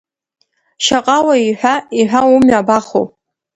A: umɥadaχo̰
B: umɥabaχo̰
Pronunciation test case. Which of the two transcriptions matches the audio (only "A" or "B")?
B